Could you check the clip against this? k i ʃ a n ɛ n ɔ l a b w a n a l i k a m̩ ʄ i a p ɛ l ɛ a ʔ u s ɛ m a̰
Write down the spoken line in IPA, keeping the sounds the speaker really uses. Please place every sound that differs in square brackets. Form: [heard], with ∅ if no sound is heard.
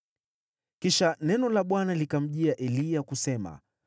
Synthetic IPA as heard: k i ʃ a n ɛ n ɔ l a [ɓ] w a n a l i k a m̩ ʄ i a [ʔ] ɛ l [i] a [k] u s ɛ m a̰